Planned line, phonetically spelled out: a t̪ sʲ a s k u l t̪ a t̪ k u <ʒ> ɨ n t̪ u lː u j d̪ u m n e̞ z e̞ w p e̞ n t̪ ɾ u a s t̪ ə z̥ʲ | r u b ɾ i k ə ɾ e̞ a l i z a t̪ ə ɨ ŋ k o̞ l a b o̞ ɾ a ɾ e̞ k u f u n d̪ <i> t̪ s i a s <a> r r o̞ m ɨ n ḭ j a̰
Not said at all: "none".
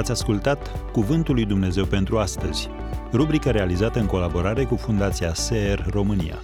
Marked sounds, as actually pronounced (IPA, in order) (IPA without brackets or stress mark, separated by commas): v, a, e